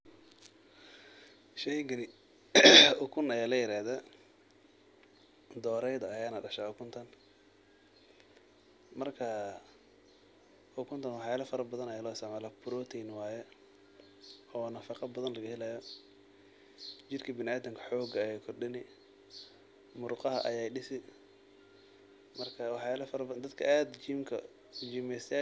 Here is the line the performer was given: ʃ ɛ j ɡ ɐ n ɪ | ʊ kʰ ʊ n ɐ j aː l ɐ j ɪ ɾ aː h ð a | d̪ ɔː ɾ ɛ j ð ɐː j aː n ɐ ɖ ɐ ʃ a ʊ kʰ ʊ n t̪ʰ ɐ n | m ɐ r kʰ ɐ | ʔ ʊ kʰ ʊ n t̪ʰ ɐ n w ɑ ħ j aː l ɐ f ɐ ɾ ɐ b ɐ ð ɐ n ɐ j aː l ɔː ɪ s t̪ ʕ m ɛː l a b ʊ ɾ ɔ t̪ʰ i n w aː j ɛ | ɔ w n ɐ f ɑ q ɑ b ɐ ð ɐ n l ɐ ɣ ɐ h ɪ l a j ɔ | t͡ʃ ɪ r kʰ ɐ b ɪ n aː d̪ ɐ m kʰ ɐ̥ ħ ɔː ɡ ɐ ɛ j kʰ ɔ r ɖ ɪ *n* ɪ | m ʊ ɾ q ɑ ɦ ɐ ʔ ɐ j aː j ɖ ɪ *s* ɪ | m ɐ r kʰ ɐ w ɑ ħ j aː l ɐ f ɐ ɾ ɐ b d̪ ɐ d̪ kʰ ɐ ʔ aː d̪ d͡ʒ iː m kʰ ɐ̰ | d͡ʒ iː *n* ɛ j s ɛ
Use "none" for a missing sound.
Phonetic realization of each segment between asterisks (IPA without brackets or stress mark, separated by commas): n, s, m